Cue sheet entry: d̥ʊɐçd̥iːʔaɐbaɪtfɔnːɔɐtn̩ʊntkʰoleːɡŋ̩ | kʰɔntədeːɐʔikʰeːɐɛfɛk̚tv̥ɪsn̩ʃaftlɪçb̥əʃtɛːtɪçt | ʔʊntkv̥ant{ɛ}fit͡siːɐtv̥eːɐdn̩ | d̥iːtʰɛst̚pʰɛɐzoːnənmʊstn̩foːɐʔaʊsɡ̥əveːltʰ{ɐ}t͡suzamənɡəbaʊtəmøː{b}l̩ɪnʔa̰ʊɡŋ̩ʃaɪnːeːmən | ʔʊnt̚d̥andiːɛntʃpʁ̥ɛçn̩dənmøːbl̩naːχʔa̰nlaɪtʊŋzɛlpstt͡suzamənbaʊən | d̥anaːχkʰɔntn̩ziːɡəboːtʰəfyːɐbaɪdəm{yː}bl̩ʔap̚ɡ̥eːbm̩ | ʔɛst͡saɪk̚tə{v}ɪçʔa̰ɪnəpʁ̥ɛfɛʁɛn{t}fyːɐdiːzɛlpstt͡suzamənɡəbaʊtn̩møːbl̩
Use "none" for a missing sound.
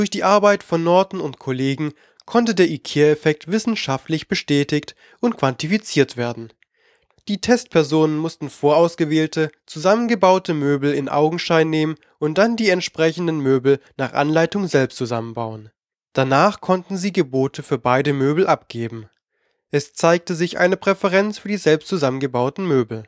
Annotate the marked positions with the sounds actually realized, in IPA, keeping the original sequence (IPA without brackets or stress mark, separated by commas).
i, ə, b, øː, z, t͡s